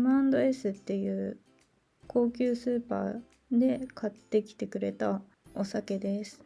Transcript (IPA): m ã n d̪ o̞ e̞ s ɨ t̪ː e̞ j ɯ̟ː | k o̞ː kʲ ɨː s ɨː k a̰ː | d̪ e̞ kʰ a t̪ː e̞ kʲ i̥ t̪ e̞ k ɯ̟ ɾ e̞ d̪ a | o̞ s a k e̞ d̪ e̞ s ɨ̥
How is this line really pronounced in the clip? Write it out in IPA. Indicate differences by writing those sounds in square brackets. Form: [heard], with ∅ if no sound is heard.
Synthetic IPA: m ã n d̪ o̞ e̞ s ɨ t̪ː e̞ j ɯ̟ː | k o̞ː kʲ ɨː s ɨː [p] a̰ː | d̪ e̞ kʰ a t̪ː e̞ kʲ i̥ t̪ e̞ k ɯ̟ ɾ e̞ [t̪] a | o̞ s a k e̞ d̪ e̞ s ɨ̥